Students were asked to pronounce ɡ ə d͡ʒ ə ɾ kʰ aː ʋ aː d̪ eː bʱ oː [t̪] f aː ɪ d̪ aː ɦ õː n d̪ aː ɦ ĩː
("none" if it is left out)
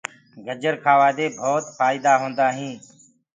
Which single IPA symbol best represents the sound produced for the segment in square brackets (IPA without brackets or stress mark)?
t̪